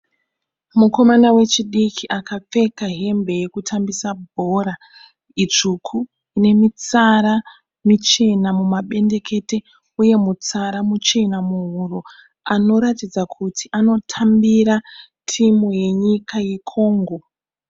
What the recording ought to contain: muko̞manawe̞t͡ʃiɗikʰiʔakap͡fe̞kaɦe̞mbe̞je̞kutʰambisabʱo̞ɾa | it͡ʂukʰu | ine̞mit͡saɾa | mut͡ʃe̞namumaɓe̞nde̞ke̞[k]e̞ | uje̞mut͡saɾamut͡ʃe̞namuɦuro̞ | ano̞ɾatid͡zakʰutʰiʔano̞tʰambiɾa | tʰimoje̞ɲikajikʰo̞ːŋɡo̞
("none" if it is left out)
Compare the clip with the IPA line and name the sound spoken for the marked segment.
t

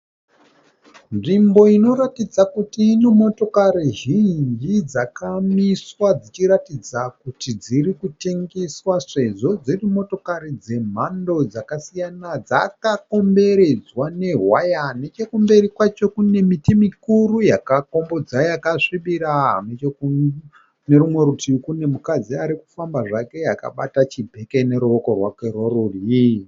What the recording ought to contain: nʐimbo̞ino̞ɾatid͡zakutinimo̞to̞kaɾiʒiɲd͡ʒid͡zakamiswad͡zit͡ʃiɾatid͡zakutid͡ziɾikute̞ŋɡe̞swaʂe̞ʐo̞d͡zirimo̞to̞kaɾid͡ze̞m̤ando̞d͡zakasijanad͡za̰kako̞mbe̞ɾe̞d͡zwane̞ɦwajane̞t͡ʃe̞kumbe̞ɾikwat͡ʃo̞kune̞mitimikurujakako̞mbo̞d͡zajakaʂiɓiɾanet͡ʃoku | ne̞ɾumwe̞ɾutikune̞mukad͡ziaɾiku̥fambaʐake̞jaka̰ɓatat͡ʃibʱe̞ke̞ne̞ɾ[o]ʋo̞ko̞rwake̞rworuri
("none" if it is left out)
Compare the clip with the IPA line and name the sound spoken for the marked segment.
u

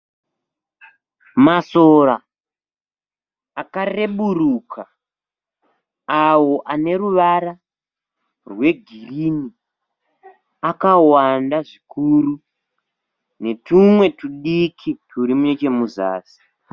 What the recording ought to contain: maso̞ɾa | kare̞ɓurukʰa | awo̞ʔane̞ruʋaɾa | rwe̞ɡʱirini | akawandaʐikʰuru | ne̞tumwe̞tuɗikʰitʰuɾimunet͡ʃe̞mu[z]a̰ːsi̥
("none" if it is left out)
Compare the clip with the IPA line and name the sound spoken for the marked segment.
z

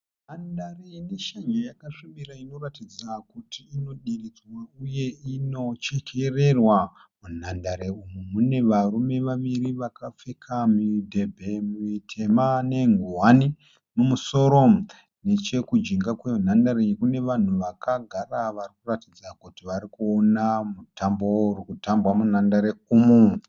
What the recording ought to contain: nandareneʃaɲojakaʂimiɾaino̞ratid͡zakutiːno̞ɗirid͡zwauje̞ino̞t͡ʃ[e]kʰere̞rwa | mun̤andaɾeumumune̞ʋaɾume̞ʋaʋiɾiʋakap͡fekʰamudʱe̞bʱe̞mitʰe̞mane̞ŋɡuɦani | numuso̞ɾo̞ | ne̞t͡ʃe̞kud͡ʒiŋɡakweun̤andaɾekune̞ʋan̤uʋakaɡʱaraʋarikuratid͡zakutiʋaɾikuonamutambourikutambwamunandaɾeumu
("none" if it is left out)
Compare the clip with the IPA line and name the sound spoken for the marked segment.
e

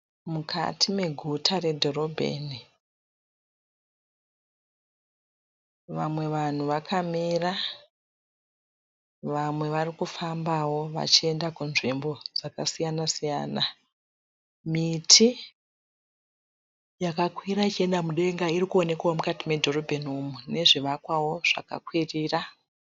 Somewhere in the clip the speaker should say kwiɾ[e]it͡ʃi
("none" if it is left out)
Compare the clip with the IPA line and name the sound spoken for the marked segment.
a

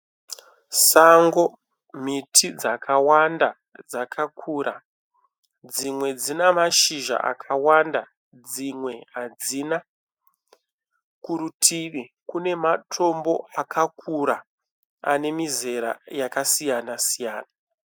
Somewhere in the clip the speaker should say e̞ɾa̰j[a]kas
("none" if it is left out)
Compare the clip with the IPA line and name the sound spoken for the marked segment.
a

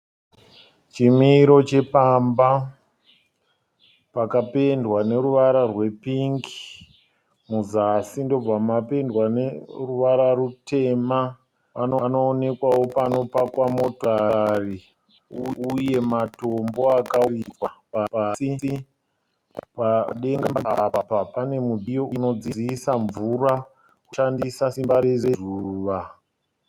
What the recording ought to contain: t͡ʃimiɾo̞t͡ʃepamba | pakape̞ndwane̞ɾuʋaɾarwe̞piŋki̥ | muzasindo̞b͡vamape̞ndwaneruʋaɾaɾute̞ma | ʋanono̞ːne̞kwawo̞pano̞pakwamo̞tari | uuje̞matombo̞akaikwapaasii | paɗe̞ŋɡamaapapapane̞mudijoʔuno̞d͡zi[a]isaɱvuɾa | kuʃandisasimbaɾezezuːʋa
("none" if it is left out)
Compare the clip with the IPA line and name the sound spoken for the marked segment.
i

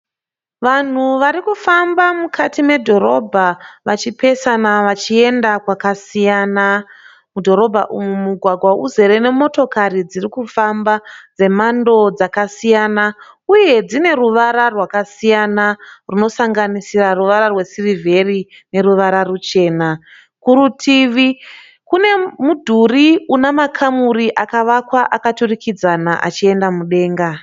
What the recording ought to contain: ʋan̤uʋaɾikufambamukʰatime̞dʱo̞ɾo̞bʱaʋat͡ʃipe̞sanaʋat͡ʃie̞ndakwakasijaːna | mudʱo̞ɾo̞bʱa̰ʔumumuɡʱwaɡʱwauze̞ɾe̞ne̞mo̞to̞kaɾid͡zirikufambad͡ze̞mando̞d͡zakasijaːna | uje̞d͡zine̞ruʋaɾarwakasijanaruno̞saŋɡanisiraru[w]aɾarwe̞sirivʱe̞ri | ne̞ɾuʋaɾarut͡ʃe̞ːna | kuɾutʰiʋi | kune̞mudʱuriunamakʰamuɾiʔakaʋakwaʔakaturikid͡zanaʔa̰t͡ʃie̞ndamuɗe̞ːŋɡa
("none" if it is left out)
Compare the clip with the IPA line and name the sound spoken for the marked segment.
ʋ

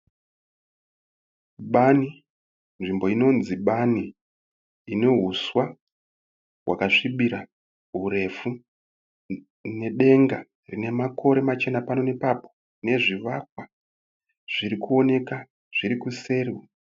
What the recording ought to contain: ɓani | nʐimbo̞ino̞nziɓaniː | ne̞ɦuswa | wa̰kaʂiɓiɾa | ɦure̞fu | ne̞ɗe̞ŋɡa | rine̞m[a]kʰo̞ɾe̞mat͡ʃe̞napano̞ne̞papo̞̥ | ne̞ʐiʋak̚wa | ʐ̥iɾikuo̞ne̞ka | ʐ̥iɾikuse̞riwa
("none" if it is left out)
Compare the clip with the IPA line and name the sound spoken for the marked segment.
a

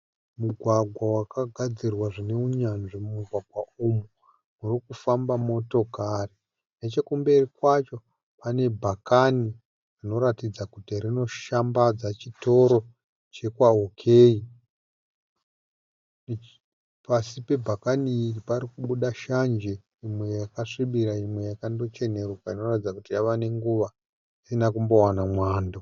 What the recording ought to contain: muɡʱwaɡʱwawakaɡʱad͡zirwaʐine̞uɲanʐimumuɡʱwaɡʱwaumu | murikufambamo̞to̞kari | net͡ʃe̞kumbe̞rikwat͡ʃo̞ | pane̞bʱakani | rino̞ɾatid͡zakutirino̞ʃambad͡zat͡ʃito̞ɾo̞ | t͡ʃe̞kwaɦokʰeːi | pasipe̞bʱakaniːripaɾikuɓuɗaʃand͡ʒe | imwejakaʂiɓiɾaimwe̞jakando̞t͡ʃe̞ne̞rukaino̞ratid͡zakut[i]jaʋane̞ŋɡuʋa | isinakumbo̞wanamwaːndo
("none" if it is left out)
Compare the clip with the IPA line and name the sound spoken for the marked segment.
i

